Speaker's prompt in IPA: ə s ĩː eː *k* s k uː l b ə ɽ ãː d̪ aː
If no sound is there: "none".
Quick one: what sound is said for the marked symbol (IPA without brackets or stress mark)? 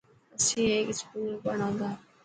k